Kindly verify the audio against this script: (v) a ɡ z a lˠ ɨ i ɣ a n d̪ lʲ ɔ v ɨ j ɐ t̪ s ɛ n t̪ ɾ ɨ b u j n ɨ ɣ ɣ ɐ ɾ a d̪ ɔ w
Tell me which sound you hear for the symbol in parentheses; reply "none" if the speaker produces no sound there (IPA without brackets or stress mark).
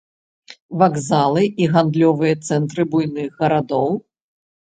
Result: v